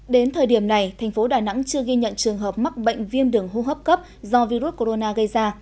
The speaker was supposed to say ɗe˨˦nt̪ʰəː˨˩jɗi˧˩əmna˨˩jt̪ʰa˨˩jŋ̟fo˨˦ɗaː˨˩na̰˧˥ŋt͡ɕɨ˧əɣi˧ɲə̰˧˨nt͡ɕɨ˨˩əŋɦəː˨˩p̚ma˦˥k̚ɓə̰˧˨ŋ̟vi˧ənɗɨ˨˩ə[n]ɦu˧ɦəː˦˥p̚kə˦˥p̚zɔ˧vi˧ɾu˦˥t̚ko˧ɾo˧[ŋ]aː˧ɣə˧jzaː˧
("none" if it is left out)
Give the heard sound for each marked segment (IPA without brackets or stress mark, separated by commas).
ŋ, n